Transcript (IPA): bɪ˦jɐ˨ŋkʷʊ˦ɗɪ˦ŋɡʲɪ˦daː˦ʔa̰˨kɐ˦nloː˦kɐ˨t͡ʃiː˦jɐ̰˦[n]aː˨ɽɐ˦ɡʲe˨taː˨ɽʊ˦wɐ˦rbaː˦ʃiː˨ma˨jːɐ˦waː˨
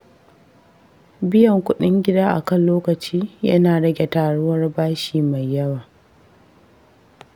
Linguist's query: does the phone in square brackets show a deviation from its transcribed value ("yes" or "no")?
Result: no